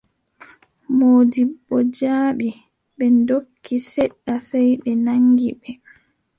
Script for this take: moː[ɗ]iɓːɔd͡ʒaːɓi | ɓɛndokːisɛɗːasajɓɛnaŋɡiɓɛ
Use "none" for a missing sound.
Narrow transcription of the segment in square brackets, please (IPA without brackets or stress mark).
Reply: d